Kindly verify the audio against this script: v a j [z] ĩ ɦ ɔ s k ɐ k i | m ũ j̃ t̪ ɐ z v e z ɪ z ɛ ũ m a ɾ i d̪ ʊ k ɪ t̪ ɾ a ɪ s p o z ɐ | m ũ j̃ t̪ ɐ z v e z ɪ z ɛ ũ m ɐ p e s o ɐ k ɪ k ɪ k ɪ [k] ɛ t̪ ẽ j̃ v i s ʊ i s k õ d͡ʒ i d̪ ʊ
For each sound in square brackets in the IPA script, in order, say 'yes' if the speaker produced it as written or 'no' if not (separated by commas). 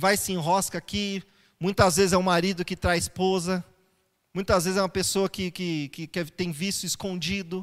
no, yes